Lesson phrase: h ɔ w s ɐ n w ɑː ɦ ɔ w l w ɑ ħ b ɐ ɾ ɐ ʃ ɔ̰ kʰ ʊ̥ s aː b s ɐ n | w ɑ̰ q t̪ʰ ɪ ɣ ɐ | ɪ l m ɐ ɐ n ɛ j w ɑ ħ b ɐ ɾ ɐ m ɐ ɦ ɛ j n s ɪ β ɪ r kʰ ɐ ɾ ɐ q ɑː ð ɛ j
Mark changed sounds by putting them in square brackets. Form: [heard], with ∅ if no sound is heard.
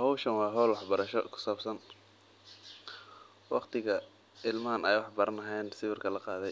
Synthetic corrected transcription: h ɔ w [ʃ] ɐ n w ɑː ɦ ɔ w l w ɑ ħ b ɐ ɾ ɐ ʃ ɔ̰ kʰ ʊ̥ s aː b s ɐ n | w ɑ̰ q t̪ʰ ɪ ɣ ɐ | ɪ l m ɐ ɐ n ɛ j w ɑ ħ b ɐ ɾ ɐ [n] ɐ ɦ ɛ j n s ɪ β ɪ r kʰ ɐ [l] ɐ q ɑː ð ɛ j